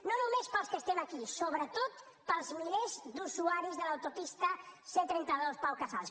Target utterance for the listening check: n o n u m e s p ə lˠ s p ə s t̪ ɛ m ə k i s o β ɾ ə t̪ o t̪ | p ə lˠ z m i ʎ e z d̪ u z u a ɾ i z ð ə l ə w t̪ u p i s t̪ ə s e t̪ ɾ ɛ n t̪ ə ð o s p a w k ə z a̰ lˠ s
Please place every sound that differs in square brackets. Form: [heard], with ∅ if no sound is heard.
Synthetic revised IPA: n o n u m e s p ə lˠ s [k] ə s t̪ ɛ m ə k i s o β ɾ ə t̪ o t̪ | p ə lˠ z m i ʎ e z d̪ u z u a ɾ i z ð ə l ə w t̪ u p i s t̪ ə s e t̪ ɾ ɛ n t̪ ə ð o s p a w k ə z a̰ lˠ s